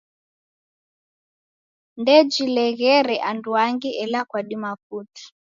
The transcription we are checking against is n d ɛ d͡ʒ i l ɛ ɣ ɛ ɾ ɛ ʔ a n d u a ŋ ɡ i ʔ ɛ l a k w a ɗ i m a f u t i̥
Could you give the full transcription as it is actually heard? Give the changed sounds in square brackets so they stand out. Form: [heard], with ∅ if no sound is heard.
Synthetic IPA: n d ɛ d͡ʒ i l ɛ ɣ ɛ ɾ ɛ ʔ a n d u a ŋ ɡ i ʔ ɛ l a k w a ɗ i m a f u t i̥